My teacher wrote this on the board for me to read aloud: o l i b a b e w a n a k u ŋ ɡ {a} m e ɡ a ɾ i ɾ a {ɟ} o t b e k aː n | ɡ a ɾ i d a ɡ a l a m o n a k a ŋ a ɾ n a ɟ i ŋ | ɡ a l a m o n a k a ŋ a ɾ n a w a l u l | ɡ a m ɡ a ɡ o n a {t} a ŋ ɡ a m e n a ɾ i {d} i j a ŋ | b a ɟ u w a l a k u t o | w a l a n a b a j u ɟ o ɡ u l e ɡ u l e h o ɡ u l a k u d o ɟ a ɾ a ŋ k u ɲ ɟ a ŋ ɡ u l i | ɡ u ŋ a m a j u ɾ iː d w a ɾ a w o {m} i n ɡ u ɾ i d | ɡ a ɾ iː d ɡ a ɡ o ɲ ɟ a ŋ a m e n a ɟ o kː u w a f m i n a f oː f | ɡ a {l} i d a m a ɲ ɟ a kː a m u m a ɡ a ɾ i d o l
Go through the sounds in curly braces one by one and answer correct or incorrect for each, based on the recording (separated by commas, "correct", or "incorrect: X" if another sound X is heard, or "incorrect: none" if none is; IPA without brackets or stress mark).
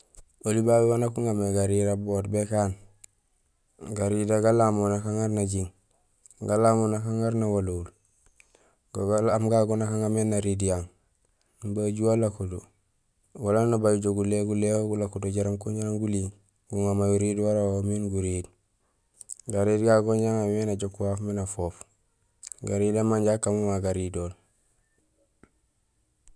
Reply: correct, incorrect: b, incorrect: k, correct, correct, incorrect: ɾ